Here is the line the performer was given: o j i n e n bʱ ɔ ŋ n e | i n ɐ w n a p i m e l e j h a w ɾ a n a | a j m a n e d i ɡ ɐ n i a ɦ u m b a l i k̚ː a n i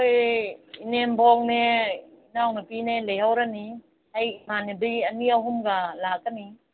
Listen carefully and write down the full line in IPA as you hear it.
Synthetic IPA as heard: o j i n e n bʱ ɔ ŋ n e | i n a w n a p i n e l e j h a w ɾ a n i | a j m a n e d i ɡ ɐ n i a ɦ u m ɡ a l a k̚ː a n i